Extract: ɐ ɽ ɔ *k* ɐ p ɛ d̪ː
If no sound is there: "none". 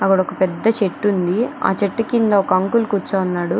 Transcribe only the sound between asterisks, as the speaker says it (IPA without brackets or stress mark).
k